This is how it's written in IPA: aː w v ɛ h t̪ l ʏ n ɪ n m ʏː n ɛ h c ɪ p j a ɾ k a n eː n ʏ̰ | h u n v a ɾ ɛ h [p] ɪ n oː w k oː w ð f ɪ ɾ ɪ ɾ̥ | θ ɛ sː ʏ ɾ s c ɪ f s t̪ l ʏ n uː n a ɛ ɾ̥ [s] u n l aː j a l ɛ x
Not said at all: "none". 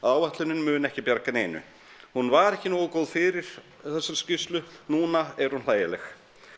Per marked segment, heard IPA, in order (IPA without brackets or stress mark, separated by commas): c, h